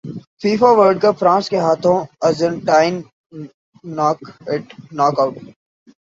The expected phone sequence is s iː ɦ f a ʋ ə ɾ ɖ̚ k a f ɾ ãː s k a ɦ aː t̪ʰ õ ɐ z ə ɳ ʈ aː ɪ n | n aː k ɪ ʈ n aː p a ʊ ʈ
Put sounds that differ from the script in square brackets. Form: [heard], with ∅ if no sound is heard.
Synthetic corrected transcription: [f] iː [∅] f a ʋ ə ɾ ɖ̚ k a f ɾ ãː s k [e] ɦ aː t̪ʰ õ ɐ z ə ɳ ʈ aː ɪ n | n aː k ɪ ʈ n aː [k] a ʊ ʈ